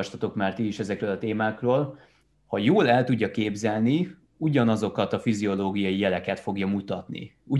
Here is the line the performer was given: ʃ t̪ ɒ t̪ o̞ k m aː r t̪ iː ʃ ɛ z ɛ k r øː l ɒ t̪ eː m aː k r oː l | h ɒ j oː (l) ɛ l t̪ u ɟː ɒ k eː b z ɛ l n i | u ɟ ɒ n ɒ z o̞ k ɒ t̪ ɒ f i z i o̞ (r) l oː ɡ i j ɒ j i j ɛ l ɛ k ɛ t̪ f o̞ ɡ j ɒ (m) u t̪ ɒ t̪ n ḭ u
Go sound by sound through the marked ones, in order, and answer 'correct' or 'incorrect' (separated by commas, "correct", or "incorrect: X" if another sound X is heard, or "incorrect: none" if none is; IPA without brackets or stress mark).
correct, incorrect: none, correct